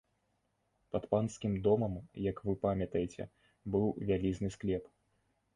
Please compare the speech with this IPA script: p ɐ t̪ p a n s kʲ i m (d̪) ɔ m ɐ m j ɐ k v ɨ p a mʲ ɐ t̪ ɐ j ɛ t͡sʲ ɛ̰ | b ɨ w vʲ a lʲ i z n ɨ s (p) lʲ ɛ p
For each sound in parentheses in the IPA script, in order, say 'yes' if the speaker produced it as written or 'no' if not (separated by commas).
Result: yes, no